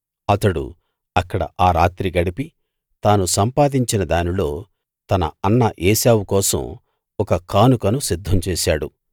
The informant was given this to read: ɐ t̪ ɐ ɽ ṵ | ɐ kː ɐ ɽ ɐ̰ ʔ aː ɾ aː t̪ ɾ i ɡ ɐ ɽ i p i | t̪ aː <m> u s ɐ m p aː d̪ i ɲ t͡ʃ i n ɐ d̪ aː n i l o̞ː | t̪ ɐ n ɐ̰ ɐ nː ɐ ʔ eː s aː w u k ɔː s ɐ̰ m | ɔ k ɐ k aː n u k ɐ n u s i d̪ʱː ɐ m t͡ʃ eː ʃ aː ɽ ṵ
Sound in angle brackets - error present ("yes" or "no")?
yes